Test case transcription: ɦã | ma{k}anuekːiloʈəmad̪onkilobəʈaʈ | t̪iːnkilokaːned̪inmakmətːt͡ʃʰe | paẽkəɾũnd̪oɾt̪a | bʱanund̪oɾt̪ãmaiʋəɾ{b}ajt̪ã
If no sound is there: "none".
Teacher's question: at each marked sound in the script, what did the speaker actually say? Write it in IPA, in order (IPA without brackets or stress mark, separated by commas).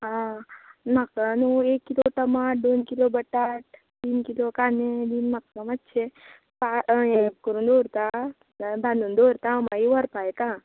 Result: k, p